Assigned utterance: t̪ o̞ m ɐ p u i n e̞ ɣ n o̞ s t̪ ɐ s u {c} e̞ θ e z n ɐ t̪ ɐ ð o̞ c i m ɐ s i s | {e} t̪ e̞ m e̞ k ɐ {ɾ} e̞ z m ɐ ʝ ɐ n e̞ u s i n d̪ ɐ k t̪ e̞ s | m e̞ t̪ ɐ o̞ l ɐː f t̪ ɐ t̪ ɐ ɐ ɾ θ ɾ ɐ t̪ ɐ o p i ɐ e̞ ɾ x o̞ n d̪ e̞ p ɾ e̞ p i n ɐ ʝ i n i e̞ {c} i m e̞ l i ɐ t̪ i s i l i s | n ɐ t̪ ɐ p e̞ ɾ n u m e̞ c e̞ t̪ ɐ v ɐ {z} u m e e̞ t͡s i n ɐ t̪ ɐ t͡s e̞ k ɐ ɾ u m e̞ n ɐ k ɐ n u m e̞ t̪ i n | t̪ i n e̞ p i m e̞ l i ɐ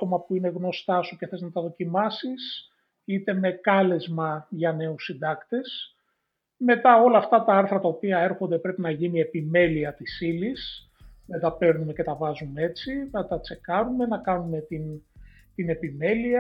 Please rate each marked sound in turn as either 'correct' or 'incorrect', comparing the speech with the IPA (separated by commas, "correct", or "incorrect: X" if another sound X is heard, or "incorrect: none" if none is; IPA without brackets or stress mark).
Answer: correct, incorrect: i, incorrect: l, incorrect: p, correct